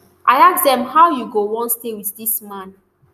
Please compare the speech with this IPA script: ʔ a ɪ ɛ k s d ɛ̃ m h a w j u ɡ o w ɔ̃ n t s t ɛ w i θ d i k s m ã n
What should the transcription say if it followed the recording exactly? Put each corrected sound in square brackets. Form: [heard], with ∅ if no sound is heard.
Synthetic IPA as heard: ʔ a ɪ [a] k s d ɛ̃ m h a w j u ɡ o w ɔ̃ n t s t [e] w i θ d i [∅] s m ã n